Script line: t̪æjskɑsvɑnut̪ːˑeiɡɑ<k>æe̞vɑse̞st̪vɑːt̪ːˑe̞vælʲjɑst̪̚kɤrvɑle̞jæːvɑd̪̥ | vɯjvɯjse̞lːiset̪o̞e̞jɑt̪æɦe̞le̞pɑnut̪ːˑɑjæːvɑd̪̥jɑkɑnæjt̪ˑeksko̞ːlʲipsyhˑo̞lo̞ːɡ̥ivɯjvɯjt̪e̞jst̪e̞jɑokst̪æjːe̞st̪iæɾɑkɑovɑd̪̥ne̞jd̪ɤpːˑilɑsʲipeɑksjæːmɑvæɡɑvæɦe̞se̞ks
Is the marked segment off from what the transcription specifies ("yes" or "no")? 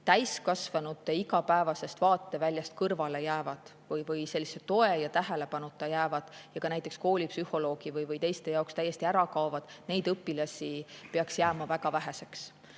yes